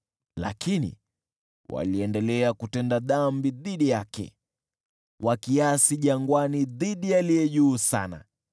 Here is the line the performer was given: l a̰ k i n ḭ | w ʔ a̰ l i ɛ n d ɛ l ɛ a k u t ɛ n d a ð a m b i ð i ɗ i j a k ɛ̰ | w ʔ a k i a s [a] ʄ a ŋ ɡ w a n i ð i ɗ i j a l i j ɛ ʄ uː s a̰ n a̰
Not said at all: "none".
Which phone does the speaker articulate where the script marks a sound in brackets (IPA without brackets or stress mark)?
i